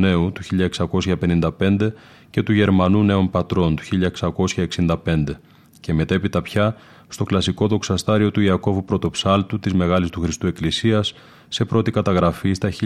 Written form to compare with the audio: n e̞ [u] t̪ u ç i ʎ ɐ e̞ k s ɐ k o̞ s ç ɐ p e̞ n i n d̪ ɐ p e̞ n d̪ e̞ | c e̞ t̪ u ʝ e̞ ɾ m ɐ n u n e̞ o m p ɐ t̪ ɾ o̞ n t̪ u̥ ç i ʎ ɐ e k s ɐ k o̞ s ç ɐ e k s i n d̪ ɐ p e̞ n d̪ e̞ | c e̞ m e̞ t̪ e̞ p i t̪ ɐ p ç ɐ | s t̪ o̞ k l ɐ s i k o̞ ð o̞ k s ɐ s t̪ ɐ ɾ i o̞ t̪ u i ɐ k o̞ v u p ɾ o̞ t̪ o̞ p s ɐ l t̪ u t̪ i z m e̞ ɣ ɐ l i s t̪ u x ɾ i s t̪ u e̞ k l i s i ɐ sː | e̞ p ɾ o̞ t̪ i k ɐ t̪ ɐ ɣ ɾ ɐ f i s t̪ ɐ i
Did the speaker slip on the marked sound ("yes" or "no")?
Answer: no